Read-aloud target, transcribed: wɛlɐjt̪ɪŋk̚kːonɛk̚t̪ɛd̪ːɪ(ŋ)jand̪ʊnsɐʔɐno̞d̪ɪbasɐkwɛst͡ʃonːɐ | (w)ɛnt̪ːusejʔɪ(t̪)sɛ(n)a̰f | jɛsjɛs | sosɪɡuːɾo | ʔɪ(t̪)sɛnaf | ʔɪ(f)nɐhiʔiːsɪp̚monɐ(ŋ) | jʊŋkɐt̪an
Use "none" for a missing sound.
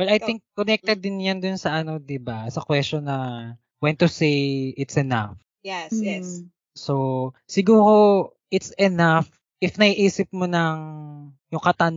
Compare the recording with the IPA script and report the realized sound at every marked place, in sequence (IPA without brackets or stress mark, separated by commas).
n, w, t̪, n, t̪, f, ŋ